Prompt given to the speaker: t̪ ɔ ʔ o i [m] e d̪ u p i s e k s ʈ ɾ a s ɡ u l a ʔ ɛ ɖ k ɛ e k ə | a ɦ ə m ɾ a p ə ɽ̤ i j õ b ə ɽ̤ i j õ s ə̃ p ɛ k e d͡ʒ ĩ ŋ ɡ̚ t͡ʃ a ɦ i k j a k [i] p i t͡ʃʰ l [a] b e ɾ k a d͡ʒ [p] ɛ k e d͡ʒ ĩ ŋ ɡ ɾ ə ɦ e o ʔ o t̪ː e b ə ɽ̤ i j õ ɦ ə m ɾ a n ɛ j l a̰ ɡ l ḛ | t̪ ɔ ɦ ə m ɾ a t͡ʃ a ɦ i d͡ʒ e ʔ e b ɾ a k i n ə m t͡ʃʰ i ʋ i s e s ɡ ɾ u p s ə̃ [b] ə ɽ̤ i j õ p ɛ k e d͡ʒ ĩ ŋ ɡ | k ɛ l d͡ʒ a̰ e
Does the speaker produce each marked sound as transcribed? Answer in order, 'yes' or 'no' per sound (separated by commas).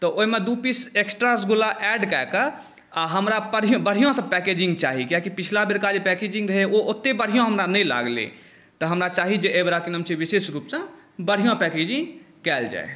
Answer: yes, yes, yes, yes, yes